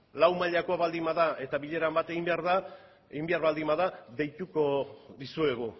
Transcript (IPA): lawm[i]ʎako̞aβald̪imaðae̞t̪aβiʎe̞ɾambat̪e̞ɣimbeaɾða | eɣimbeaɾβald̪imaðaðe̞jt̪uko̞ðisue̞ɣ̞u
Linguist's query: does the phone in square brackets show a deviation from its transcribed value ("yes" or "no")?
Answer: yes